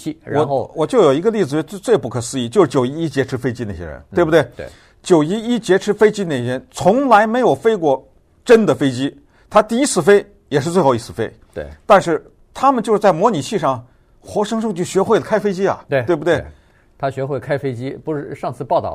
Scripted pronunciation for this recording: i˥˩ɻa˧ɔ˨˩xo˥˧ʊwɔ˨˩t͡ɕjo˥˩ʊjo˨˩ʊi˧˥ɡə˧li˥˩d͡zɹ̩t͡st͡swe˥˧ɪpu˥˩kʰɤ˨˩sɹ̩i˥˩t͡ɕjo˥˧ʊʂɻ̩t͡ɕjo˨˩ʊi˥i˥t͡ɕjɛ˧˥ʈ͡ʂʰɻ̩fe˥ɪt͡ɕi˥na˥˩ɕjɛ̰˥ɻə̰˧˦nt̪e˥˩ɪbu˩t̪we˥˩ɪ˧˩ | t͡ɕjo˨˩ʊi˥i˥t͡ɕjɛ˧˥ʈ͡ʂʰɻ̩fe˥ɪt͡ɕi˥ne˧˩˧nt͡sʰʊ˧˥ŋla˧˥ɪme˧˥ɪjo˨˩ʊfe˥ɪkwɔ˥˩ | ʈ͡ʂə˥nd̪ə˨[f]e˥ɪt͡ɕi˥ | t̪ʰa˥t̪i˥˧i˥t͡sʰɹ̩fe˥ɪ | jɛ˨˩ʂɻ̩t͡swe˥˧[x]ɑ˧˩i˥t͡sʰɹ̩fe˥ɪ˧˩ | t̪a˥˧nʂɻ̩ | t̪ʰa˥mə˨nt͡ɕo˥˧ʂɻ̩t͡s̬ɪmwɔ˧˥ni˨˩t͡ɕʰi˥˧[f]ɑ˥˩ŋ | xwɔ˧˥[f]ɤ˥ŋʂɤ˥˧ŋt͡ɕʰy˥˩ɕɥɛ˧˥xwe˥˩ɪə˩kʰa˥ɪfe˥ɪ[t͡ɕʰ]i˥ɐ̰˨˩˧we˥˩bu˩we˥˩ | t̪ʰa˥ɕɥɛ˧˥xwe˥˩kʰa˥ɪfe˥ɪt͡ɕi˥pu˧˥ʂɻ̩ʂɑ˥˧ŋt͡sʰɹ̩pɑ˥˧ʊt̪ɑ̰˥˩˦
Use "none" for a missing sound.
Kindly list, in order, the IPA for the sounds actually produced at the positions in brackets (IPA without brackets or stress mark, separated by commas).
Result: f, x, ʂ, ʂ, t͡ɕ